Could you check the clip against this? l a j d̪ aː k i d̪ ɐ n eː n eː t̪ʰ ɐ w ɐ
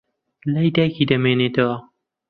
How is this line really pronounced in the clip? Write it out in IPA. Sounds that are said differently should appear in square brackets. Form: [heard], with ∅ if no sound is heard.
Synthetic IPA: l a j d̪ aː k i d̪ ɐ [m] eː n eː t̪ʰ ɐ w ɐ